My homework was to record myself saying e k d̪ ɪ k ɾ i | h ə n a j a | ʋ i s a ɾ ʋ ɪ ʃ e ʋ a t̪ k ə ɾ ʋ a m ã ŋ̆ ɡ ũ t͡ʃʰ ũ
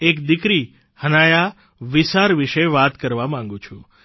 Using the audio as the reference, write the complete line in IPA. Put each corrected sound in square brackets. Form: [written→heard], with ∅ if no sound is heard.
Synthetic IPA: e k d̪ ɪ k ɾ i | h ə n a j a | ʋ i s a ɾ ʋ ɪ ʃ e ʋ a t̪ k ə ɾ ʋ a m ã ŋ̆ ɡ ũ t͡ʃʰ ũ